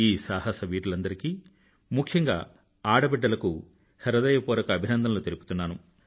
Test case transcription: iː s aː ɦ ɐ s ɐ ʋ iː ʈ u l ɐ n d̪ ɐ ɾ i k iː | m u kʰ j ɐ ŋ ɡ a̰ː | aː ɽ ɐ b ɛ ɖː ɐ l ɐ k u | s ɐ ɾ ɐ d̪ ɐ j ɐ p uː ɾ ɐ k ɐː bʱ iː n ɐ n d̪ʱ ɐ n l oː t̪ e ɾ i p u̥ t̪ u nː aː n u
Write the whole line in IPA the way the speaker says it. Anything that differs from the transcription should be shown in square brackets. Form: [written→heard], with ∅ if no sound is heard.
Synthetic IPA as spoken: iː s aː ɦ ɐ s ɐ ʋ iː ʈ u l ɐ n d̪ ɐ ɾ i k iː | m u kʰ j ɐ ŋ ɡ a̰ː | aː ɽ ɐ b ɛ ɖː ɐ l ɐ k u | [s→h] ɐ ɾ ɐ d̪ ɐ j ɐ p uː ɾ ɐ k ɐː bʱ [iː→i] n ɐ n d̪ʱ ɐ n l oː t̪ e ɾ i p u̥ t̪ u nː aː n u